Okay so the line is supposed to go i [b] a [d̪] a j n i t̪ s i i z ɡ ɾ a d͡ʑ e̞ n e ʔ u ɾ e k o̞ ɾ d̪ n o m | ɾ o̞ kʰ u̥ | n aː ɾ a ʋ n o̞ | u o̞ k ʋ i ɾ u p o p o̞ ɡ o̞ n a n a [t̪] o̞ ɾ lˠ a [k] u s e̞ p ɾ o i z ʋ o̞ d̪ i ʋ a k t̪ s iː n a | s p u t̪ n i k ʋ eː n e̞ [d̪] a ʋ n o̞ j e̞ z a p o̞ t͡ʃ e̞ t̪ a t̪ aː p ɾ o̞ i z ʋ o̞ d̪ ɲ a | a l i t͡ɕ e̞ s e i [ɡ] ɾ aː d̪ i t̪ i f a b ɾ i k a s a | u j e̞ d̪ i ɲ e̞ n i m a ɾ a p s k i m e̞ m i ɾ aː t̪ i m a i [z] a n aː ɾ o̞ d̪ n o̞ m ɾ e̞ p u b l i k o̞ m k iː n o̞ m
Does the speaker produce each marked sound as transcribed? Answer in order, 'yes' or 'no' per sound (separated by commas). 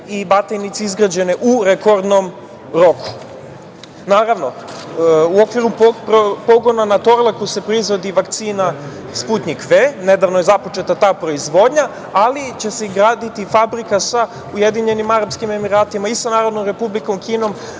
yes, no, yes, yes, yes, yes, no